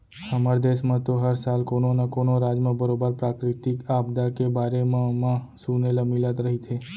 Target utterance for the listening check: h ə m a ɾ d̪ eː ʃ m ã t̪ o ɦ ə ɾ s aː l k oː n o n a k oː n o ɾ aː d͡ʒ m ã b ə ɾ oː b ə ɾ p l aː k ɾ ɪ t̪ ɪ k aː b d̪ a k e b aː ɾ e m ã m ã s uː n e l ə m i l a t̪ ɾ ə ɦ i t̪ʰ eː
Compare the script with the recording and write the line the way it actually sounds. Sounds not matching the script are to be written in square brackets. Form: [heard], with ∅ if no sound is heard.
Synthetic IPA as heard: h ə m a ɾ d̪ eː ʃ m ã t̪ o ɦ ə ɾ s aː l k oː n o n a k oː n o ɾ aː d͡ʒ m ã b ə ɾ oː b ə ɾ p [ɾ] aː k ɾ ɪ t̪ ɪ k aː b d̪ a k e b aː ɾ e m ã m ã s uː n e l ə m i l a t̪ ɾ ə ɦ i t̪ʰ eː